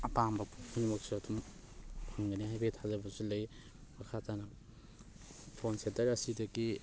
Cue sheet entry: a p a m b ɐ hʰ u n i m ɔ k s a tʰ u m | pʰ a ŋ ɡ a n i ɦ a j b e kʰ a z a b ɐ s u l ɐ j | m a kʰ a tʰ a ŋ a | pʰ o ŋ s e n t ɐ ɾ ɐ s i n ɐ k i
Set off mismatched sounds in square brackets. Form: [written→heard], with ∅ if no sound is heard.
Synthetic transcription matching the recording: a p a m b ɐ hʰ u n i m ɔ k s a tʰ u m | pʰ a ŋ ɡ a n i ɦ a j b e [kʰ→tʰ] a z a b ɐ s u l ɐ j | m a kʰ a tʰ a [ŋ→n] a | pʰ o [ŋ→n] s e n t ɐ ɾ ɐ s i [n→d] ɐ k i